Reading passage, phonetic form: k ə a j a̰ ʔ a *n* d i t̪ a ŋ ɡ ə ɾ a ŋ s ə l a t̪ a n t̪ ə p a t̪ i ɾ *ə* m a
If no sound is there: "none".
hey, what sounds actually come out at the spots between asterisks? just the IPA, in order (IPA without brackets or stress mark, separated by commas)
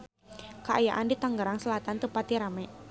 n, a